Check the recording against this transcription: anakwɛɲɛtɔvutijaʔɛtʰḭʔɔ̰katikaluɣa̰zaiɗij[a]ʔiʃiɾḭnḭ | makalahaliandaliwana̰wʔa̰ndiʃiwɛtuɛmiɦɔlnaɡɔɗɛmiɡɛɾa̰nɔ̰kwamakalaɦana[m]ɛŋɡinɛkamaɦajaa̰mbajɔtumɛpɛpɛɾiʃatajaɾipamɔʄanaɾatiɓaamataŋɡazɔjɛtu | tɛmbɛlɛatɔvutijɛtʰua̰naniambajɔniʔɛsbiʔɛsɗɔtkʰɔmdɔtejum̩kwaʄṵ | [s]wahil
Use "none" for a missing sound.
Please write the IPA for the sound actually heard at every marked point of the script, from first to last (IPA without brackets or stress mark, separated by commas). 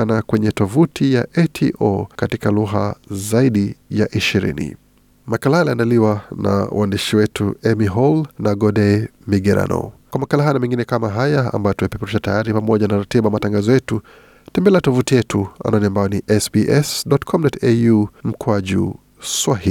a, m, s